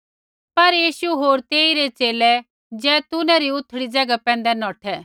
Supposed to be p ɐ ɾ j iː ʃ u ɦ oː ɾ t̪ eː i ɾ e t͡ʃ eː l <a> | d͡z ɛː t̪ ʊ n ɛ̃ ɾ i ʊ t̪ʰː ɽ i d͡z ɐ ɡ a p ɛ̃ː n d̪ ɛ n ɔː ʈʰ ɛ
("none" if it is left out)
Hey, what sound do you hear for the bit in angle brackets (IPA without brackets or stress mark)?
ɛ